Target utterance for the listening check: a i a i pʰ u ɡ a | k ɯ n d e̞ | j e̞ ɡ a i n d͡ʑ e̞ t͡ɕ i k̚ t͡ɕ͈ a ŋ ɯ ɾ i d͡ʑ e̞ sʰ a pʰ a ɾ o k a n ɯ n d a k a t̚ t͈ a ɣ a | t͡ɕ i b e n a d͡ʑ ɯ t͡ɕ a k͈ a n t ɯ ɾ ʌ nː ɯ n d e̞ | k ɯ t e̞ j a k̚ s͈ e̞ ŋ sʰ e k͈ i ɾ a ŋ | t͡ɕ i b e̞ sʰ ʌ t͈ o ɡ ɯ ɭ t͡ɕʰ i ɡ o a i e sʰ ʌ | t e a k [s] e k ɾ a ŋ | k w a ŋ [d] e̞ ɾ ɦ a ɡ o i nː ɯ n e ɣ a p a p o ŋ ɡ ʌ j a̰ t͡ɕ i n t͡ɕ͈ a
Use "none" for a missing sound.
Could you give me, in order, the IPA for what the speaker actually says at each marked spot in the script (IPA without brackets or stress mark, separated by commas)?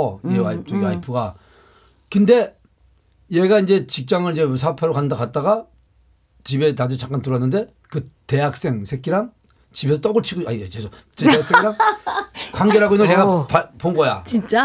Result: s, ɡ